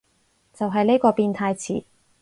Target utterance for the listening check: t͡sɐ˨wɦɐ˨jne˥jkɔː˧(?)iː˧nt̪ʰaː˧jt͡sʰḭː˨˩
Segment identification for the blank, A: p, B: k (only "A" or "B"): A